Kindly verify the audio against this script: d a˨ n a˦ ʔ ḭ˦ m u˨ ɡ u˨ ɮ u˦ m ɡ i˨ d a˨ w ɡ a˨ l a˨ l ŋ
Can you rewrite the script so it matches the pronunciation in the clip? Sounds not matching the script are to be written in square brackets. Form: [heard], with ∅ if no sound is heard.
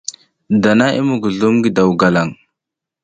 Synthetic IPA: d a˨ n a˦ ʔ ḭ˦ m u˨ ɡ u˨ ɮ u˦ m ɡ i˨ d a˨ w ɡ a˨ l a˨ [∅] ŋ